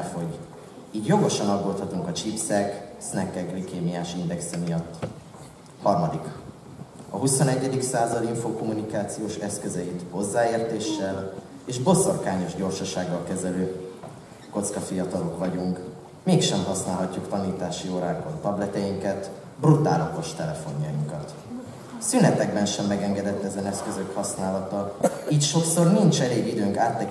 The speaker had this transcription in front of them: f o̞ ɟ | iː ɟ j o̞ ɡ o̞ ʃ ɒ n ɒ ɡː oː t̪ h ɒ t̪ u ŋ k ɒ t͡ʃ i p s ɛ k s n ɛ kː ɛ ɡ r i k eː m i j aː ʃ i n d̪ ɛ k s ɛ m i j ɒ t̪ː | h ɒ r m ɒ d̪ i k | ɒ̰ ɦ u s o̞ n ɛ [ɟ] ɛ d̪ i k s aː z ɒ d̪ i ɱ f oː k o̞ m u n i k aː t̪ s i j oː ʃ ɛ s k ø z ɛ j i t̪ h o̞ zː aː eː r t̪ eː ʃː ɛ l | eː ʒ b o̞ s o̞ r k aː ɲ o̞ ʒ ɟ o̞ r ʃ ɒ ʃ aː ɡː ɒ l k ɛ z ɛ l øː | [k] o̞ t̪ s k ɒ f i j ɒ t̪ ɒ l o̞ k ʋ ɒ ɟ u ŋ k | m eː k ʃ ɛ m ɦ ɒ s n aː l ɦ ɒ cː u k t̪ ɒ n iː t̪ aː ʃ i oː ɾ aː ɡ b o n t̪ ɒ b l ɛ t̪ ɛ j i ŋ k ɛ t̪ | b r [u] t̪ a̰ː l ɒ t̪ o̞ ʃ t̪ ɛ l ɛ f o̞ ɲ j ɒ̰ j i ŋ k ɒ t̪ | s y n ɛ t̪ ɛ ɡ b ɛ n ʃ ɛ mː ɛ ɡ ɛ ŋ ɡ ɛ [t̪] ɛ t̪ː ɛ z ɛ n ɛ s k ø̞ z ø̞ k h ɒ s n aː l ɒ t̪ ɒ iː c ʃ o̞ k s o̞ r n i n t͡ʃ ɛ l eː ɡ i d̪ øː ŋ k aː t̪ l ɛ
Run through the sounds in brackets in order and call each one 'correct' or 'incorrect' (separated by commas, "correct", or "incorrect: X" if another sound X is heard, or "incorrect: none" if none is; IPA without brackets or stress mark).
incorrect: ɟː, correct, correct, incorrect: d̪